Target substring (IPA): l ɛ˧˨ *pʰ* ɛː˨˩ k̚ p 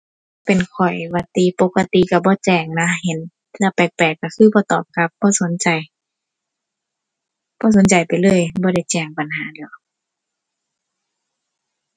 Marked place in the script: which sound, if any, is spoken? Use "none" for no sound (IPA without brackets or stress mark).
p